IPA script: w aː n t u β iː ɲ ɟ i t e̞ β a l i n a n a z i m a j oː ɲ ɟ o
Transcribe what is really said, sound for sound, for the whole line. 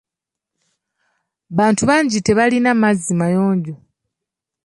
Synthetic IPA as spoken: β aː n t u β aː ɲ ɟ i t e̞ β a l i n a m a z i m a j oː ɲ ɟ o